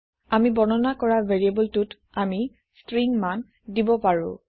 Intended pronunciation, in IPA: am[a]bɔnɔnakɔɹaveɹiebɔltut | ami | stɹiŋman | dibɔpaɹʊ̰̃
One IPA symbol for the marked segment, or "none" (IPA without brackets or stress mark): i